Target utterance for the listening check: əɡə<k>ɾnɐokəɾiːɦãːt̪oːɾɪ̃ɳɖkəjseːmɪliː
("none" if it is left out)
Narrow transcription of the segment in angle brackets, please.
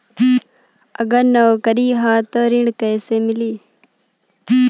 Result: none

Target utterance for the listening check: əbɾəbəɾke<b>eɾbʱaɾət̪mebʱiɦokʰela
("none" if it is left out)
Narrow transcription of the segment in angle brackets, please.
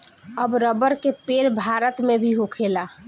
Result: p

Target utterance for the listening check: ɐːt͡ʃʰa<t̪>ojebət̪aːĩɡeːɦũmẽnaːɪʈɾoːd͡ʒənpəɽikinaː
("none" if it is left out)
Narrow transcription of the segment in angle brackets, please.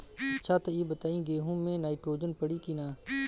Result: t̪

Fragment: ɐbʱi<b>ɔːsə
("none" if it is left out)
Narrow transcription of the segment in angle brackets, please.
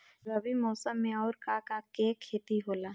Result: m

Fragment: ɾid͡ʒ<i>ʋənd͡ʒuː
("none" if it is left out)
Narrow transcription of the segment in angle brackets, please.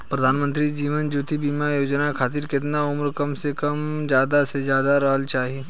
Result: iː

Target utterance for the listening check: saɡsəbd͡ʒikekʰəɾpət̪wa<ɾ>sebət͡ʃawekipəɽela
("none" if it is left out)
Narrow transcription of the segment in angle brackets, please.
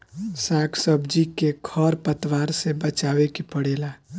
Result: ɾ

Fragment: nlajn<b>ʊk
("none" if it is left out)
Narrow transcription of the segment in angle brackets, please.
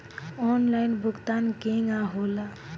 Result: b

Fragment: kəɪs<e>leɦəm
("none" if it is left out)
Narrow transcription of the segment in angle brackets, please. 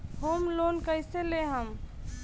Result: e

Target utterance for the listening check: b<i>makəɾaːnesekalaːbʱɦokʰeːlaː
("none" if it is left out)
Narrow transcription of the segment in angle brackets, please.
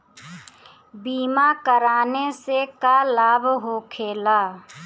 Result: iː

